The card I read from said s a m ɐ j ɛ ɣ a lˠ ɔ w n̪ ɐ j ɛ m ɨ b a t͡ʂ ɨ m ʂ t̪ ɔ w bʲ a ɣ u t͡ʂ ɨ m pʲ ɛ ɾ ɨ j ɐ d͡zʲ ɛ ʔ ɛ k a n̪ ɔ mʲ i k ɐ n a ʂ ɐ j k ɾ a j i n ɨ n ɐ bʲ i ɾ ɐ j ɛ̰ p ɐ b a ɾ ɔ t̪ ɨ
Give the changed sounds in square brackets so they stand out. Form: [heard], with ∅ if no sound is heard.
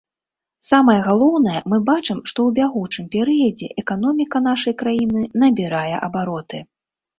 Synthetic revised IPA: s a m ɐ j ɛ ɣ a lˠ ɔ w n̪ ɐ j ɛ m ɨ b a t͡ʂ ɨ m ʂ t̪ ɔ w bʲ a ɣ u t͡ʂ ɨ m pʲ ɛ ɾ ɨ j ɐ d͡zʲ ɛ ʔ ɛ k a n̪ ɔ mʲ i k ɐ n a ʂ ɐ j k ɾ a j i n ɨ n ɐ bʲ i ɾ [a] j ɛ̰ [ʔ] ɐ b a ɾ ɔ t̪ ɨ